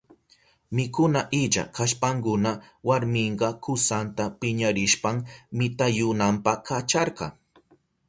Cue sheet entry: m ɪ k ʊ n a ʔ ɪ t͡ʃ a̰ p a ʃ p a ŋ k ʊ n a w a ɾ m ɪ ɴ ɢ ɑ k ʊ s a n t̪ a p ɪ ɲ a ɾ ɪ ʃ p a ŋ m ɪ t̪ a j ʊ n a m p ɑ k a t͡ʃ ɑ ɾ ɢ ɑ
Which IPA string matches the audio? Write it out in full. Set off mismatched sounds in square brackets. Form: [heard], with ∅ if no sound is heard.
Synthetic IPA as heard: m ɪ k ʊ n a ʔ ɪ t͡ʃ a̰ [k] a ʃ p a ŋ k ʊ n a w a ɾ m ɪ ɴ ɢ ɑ k ʊ s a n t̪ a p ɪ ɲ a ɾ ɪ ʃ p a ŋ m ɪ t̪ a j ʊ n a m p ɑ k a t͡ʃ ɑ ɾ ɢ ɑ